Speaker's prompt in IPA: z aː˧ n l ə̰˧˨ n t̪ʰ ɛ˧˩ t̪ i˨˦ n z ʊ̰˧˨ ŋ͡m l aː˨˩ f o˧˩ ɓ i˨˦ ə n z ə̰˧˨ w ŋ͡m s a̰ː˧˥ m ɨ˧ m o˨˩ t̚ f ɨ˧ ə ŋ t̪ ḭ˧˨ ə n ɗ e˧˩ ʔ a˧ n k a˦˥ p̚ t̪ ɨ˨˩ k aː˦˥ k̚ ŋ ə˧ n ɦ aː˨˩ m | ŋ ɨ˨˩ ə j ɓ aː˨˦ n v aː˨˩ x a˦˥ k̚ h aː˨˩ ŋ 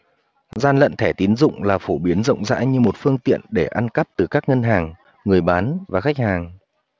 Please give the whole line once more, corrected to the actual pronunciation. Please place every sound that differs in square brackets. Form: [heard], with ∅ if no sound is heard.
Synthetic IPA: z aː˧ n l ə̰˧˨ n t̪ʰ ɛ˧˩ t̪ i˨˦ n z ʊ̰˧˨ ŋ͡m l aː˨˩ f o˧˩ ɓ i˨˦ ə n z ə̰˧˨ w ŋ͡m [z] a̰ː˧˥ [ɲ] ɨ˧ m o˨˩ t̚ f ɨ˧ ə ŋ t̪ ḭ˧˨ ə n ɗ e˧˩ ʔ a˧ n k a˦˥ p̚ t̪ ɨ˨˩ k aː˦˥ k̚ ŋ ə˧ n ɦ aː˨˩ [ŋ] | ŋ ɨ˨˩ ə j ɓ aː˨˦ n v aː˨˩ x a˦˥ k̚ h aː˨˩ ŋ